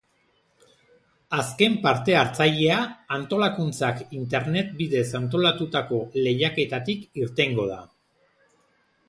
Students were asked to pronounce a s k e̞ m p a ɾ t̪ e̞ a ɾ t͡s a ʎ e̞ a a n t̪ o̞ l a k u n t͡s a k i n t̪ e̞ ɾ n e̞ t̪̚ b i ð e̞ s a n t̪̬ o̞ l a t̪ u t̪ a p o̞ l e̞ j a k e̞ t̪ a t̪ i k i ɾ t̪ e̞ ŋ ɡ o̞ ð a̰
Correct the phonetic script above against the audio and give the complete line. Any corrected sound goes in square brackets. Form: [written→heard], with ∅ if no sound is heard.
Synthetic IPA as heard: a s k e̞ m p a ɾ t̪ e̞ a ɾ t͡s a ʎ e̞ a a n t̪ o̞ l a k u n t͡s a k i n t̪ e̞ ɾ n e̞ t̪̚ b i ð e̞ s a n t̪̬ o̞ l a t̪ u t̪ a [p→k] o̞ l e̞ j a k e̞ t̪ a t̪ i k i ɾ t̪ e̞ ŋ ɡ o̞ ð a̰